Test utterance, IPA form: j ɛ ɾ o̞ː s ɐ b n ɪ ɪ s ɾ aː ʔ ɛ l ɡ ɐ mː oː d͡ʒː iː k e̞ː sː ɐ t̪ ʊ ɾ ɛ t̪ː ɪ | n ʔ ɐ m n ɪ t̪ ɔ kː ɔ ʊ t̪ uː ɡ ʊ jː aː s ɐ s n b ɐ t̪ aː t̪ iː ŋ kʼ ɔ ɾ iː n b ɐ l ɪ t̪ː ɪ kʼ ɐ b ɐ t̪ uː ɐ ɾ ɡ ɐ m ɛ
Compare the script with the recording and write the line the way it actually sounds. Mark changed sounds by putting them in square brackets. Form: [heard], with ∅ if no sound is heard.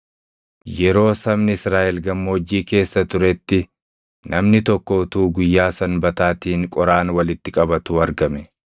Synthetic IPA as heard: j ɛ ɾ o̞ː s ɐ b n ɪ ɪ s ɾ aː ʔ ɛ l ɡ ɐ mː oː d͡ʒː iː k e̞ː sː ɐ t̪ ʊ ɾ ɛ t̪ː ɪ | n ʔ ɐ m n ɪ t̪ ɔ kː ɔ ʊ t̪ uː ɡ ʊ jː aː s ɐ [∅] n b ɐ t̪ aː t̪ iː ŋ kʼ ɔ ɾ [aː] n [w] ɐ l ɪ t̪ː ɪ kʼ ɐ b ɐ t̪ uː ɐ ɾ ɡ ɐ m ɛ